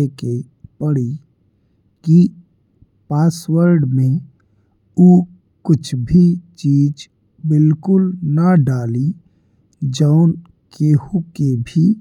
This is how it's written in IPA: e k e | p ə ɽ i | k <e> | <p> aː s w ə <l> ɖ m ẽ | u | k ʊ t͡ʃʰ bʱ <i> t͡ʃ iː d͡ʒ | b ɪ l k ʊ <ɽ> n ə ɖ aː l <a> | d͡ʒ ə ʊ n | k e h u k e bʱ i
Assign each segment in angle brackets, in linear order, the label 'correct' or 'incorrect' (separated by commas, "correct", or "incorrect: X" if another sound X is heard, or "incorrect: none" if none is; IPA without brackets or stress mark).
incorrect: i, correct, incorrect: ɾ, correct, incorrect: l, incorrect: i